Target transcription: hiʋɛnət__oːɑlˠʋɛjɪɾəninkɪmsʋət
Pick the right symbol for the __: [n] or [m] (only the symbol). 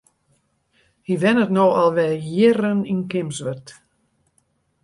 n